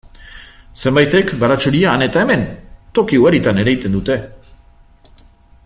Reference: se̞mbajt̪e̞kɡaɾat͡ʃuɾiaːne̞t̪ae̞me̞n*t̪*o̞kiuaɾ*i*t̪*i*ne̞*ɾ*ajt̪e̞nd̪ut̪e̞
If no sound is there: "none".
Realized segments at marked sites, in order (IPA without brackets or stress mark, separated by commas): t̪, i, a, ɾ